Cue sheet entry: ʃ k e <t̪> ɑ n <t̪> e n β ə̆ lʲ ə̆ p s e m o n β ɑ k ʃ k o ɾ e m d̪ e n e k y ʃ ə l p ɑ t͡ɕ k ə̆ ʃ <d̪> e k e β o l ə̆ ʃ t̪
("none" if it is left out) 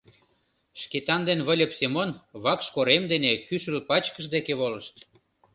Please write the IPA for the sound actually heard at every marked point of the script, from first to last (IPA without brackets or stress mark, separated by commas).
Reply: t̪, d̪, d̪